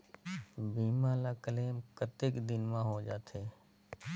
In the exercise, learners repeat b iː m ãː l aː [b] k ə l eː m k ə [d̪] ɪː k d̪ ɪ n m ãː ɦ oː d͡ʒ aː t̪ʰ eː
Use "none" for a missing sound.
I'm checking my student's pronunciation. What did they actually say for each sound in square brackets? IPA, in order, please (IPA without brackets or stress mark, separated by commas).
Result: none, t̪